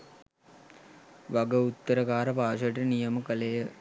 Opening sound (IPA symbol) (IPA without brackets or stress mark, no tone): ʋ